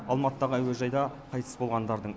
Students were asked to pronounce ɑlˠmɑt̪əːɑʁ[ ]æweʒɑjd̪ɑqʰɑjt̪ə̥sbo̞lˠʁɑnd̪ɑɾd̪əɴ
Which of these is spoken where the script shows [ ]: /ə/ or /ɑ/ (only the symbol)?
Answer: ə